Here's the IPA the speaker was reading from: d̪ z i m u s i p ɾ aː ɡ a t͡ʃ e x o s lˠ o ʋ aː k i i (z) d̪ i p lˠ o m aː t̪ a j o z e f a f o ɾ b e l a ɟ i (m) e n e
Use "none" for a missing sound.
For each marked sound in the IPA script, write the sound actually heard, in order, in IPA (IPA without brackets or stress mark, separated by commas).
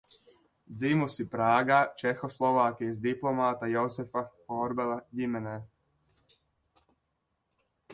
z, m